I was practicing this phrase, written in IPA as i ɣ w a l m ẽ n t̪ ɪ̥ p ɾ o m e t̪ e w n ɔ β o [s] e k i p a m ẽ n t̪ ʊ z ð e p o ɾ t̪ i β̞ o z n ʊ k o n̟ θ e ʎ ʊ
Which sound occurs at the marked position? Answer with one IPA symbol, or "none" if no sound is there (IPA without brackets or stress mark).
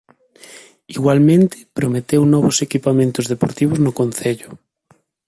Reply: s